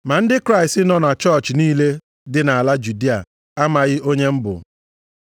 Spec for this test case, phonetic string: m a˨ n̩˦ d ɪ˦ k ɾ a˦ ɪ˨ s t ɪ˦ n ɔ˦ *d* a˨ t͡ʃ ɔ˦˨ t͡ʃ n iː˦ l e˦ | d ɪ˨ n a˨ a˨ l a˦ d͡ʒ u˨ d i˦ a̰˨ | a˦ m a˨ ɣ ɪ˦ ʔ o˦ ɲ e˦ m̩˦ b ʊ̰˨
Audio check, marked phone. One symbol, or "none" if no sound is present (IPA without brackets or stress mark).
n